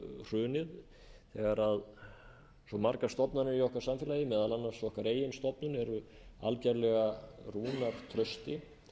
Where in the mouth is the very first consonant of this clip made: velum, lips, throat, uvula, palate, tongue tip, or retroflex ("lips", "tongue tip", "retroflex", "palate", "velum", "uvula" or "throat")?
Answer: tongue tip